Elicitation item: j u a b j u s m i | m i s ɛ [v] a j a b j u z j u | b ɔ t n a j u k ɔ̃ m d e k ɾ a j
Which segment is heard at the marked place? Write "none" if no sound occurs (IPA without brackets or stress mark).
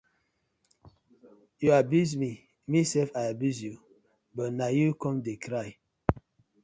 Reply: f